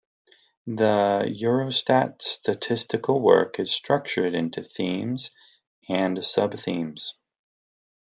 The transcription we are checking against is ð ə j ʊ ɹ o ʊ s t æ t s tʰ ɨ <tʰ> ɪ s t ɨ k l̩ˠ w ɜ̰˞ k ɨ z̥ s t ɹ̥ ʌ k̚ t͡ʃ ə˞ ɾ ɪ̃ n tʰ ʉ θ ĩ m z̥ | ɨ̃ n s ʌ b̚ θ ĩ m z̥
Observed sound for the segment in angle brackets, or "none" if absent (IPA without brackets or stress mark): tʰ